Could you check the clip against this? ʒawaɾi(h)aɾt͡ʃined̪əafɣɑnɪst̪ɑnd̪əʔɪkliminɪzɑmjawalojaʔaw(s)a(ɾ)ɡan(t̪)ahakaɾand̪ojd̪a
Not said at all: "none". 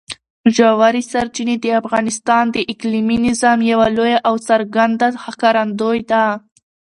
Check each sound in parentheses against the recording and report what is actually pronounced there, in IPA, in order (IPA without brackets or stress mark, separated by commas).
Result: s, s, ɾ, d̪